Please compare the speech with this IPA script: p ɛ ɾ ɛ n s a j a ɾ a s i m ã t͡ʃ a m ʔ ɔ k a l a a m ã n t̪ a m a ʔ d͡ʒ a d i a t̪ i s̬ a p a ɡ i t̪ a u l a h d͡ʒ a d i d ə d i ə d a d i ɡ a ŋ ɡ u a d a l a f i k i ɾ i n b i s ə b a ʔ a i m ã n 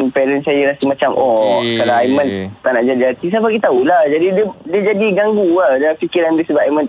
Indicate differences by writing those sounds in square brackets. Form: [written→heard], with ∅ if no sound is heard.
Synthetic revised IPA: p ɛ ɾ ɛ n s a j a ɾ a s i m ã t͡ʃ a m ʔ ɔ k a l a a m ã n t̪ a [m→n] a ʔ d͡ʒ a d i a t̪ i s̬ a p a ɡ i t̪ a u l a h d͡ʒ a d i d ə d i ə [d→d͡ʒ] a d i ɡ a ŋ ɡ u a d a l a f i k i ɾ [i→a] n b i s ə b a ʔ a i m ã n